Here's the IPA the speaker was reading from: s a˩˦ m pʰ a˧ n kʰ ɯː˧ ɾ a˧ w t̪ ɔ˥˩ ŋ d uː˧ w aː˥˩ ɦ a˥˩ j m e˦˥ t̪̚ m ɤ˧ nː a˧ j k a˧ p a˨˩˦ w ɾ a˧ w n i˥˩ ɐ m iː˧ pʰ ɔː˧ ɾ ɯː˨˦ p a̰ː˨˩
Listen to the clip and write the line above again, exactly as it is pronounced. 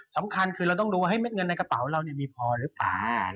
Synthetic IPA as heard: s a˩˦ m kʰ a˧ n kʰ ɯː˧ ɾ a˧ w t̪ ɔ˥˩ ŋ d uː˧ w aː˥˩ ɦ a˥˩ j m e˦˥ t̪̚ ŋ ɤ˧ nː a˧ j k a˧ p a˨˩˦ w ɾ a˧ w n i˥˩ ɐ m iː˧ pʰ ɔː˧ ɾ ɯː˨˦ p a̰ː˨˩